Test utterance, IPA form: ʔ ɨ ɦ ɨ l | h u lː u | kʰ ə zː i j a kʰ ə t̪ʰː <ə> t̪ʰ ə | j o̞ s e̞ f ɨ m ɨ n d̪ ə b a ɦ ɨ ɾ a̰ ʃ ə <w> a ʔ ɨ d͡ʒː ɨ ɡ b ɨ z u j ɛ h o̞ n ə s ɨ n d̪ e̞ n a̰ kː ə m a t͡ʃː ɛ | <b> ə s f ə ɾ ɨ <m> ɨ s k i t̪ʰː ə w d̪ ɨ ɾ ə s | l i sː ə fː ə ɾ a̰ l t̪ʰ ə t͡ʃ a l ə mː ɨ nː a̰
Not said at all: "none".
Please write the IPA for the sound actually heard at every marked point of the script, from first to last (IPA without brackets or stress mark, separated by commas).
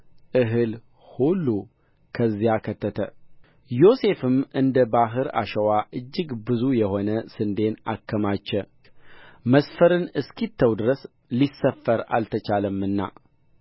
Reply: ə, w, m, n